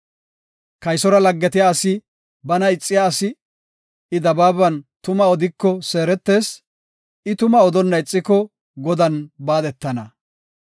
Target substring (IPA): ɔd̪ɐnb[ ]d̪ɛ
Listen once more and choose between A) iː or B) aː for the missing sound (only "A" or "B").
B